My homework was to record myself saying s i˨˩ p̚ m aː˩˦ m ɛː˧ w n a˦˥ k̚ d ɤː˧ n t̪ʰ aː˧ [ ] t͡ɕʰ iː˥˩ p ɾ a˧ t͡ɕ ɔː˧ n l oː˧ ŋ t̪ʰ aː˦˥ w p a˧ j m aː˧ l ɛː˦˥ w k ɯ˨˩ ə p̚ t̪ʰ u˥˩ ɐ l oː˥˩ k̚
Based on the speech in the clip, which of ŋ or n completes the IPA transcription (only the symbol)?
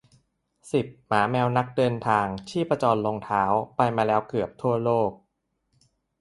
ŋ